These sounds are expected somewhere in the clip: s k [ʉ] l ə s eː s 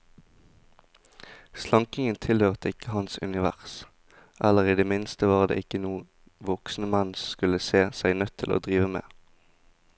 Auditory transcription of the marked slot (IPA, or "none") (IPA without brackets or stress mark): ʉ